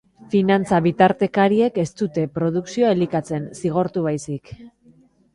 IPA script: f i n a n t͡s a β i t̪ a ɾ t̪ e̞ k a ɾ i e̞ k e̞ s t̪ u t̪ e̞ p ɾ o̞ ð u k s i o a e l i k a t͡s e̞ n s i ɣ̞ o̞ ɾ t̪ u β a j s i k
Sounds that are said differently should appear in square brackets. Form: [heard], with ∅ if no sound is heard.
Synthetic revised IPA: f i n a n t͡s a β i t̪ a ɾ t̪ e̞ k a ɾ i e̞ k e̞ s t̪ u t̪ e̞ p ɾ o̞ ð u k s i o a e l i k a t͡s e̞ n s i ɣ̞ o̞ ɾ t̪ u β a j s i k